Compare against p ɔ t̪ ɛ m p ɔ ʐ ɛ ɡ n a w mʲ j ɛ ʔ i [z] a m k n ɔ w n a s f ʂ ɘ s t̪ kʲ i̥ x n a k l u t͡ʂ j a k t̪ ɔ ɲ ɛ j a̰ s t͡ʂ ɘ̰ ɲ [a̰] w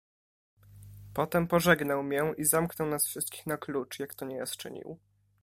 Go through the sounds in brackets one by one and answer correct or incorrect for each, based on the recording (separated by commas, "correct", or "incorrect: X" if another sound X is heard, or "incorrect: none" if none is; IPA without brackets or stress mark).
correct, incorrect: ḭ